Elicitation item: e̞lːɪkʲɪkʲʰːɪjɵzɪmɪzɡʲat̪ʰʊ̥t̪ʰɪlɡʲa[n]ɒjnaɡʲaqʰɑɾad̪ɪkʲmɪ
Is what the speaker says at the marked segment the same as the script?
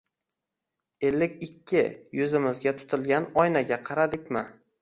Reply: yes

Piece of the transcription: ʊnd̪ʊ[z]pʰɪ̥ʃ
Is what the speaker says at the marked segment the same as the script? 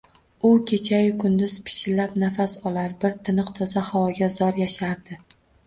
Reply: yes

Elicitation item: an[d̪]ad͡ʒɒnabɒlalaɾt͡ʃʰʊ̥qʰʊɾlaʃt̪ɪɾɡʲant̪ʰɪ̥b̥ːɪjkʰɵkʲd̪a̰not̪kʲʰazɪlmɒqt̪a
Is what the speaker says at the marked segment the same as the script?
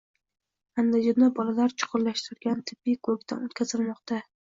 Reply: yes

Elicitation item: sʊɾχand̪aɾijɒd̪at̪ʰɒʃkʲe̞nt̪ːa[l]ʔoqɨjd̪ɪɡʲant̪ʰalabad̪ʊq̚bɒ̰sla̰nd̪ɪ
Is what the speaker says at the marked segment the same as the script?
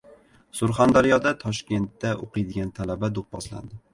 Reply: no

